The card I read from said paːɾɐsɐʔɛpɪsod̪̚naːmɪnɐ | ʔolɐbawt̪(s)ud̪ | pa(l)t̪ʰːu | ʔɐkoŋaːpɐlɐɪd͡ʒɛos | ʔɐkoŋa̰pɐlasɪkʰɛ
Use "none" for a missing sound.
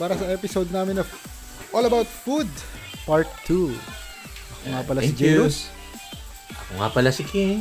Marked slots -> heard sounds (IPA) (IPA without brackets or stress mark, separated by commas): f, ɹ